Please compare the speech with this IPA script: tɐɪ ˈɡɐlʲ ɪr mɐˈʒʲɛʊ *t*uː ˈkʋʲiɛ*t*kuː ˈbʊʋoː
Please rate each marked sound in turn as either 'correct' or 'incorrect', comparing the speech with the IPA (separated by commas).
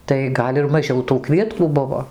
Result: correct, correct